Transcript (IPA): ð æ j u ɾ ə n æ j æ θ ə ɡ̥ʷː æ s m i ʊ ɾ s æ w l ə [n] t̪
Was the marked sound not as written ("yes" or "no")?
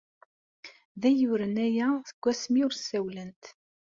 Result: no